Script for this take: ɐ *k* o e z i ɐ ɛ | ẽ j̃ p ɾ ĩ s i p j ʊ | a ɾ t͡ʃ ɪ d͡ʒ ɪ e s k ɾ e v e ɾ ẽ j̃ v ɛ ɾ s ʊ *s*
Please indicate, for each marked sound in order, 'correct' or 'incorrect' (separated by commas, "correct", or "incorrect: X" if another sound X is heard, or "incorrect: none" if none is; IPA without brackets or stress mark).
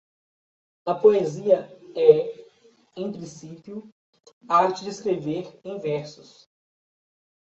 incorrect: p, correct